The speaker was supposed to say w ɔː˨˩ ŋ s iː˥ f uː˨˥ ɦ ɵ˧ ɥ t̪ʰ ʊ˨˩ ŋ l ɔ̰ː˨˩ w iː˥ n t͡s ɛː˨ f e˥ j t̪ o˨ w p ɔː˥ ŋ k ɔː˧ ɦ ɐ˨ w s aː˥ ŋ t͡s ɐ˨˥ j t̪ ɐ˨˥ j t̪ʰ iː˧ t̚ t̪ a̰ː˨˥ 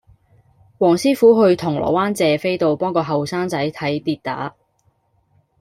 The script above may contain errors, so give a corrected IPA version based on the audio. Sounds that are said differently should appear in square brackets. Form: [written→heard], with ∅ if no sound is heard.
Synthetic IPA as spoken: w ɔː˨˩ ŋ s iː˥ f uː˨˥ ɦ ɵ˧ ɥ t̪ʰ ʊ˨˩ ŋ l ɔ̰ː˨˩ w [iː˥→aː˥] n t͡s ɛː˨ f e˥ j t̪ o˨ w p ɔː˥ ŋ k ɔː˧ ɦ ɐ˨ w s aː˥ ŋ t͡s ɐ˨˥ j [t̪→t̪ʰ] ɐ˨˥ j [t̪ʰ→t̪] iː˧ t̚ t̪ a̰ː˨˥